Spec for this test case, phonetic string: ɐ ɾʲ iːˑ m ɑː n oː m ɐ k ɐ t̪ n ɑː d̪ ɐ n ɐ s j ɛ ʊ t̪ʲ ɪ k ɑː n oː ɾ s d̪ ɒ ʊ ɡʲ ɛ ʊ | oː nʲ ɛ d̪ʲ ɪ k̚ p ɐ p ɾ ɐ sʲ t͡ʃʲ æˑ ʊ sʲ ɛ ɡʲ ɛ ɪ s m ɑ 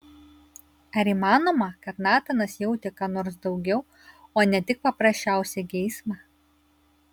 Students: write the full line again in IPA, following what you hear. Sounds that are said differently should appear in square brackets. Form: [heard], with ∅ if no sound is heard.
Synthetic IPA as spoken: ɐ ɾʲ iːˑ m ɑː n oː m ɐ k ɐ t̪ n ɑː [t̪] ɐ n ɐ s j ɛ ʊ t̪ʲ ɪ k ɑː n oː ɾ s d̪ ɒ ʊ ɡʲ ɛ ʊ | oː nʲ ɛ [t̪ʲ] ɪ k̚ p ɐ p ɾ ɐ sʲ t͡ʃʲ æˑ ʊ sʲ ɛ ɡʲ ɛ ɪ s m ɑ

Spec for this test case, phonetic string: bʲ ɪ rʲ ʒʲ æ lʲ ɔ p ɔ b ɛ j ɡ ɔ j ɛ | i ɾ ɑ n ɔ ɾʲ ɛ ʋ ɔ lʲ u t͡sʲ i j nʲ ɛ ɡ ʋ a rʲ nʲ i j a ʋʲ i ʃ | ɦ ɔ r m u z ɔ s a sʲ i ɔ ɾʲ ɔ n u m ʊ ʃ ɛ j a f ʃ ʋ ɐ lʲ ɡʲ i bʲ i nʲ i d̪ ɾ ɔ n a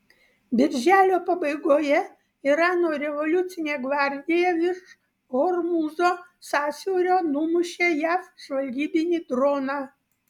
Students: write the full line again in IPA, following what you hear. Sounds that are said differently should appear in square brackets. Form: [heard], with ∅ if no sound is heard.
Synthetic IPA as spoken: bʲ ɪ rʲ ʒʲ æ lʲ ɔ p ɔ b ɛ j ɡ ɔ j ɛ | i ɾ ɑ n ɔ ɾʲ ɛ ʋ ɔ lʲ u t͡sʲ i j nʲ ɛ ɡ ʋ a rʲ [dʲ] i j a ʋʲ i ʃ | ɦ ɔ r m u z ɔ s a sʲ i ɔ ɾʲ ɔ n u m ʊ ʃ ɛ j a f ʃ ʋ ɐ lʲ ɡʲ i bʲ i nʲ i d̪ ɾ ɔ n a

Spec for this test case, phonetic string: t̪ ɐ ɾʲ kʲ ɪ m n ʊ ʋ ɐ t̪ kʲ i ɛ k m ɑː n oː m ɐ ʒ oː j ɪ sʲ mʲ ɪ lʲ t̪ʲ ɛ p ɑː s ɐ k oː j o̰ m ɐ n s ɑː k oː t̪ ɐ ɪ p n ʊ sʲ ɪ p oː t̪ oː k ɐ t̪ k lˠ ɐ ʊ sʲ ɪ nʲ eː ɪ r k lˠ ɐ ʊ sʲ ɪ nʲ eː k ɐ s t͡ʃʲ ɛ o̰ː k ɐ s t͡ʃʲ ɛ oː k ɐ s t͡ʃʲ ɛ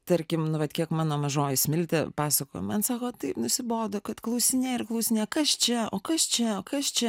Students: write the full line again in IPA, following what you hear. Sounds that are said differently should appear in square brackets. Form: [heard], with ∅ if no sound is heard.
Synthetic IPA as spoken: t̪ ɐ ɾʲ kʲ ɪ m n ʊ ʋ ɐ t̪ kʲ i ɛ k m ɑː n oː m ɐ ʒ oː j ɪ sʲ mʲ ɪ lʲ t̪ʲ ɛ p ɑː s ɐ k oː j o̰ m ɐ n s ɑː k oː t̪ ɐ ɪ p n ʊ sʲ ɪ [b] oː [d̪] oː k ɐ t̪ k lˠ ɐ ʊ sʲ ɪ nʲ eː ɪ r k lˠ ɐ ʊ sʲ ɪ nʲ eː k ɐ s t͡ʃʲ ɛ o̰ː k ɐ s t͡ʃʲ ɛ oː k ɐ s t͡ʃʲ ɛ

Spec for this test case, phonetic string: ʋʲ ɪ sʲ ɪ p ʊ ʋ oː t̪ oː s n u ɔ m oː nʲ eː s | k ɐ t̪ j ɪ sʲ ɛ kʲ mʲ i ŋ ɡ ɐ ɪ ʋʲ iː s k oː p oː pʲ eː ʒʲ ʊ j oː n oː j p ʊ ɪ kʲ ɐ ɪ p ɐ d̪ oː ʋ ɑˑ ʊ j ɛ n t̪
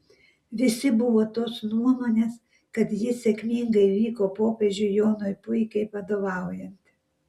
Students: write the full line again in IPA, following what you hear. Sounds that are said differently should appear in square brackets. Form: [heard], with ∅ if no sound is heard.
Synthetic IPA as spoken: ʋʲ ɪ sʲ ɪ [b] ʊ ʋ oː t̪ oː s n u ɔ m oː nʲ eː s | k ɐ t̪ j ɪ sʲ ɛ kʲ mʲ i ŋ ɡ ɐ ɪ ʋʲ iː [∅] k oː p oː pʲ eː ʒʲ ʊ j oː n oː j p ʊ ɪ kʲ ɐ ɪ p ɐ d̪ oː ʋ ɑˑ ʊ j ɛ n t̪

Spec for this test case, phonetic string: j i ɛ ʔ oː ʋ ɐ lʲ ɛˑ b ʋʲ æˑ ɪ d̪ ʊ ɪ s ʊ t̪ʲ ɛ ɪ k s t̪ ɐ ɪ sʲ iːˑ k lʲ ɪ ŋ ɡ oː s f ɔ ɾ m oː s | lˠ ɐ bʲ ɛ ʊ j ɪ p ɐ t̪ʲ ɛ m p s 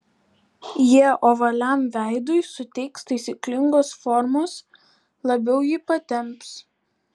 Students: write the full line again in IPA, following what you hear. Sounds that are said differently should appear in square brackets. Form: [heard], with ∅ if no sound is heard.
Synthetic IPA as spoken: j i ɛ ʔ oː ʋ ɐ lʲ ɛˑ [m] ʋʲ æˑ ɪ d̪ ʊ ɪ s ʊ t̪ʲ ɛ ɪ k s t̪ ɐ ɪ sʲ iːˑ k lʲ ɪ ŋ ɡ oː s f ɔ ɾ m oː s | lˠ ɐ bʲ ɛ ʊ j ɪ p ɐ t̪ʲ ɛ m p s

